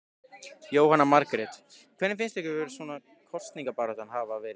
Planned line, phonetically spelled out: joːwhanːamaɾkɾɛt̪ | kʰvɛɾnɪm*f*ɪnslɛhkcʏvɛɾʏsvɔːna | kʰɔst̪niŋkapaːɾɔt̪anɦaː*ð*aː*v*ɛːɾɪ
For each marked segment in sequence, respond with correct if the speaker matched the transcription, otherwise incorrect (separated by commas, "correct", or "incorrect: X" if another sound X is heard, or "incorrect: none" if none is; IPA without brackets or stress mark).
correct, incorrect: v, correct